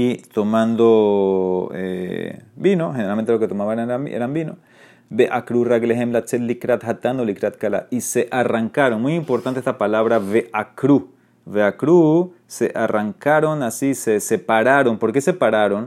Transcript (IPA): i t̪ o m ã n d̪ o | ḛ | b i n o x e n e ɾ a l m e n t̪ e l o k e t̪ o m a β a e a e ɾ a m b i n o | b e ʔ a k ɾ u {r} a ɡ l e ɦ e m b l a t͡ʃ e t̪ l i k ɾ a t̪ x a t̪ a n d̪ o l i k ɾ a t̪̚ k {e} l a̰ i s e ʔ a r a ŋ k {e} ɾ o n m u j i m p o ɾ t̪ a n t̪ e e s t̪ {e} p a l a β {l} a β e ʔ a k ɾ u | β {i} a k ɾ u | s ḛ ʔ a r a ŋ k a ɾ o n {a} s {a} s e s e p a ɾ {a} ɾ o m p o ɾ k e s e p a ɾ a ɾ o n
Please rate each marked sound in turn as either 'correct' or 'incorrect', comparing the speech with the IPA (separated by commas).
correct, incorrect, incorrect, incorrect, incorrect, incorrect, correct, incorrect, correct